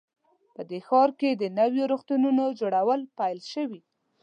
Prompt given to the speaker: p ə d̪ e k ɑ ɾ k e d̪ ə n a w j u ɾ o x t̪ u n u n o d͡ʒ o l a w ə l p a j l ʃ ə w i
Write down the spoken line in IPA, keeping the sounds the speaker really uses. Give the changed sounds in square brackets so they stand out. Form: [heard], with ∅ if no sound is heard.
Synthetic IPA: p ə d̪ e [x] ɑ ɾ k e d̪ ə n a w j [o] ɾ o x t̪ u n u n o d͡ʒ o [ɽ] a w ə l p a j l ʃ ə w i